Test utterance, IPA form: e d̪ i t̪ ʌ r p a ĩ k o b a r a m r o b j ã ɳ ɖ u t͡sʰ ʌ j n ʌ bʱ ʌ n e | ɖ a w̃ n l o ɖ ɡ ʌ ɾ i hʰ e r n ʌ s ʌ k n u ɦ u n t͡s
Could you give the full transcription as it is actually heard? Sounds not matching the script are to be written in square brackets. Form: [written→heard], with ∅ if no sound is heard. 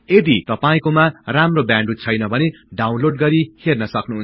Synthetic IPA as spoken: e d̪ i t̪ ʌ [r→∅] p a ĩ k o [b→m] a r a m r o b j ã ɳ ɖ u t͡sʰ ʌ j n ʌ bʱ ʌ n e | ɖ a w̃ n l o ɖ ɡ ʌ ɾ i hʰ e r n ʌ s ʌ k n u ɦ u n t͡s